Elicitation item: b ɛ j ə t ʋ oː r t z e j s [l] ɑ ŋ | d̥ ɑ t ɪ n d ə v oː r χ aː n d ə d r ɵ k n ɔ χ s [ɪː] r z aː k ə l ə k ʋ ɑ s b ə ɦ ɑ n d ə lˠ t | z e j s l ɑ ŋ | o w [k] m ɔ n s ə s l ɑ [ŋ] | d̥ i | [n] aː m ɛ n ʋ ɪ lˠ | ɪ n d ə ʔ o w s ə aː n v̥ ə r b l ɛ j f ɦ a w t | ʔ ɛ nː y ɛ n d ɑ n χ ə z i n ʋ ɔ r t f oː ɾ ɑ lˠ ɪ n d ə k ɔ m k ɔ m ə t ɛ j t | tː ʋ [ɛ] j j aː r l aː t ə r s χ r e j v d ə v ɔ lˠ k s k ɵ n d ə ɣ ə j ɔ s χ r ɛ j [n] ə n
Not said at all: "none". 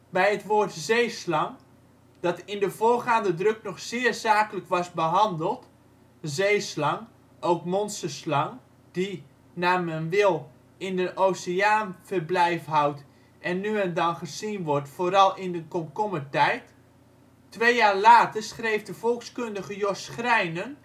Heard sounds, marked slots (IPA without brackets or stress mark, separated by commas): l, ɪː, k, ŋ, n, e, n